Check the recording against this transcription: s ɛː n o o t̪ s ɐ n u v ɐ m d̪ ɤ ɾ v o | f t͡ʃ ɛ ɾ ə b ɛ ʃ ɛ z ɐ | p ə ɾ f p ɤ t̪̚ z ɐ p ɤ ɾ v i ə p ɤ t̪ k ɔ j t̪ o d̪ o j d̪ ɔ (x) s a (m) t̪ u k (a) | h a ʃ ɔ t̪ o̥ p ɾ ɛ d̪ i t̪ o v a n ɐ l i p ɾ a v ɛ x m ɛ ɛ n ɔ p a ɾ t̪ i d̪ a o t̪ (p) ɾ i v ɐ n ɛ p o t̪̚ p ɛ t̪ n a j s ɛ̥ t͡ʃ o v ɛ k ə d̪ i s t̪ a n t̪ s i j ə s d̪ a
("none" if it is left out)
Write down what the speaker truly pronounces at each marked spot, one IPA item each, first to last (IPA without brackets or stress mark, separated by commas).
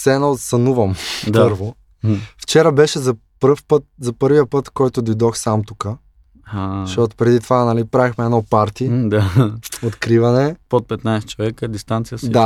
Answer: x, m, ə, k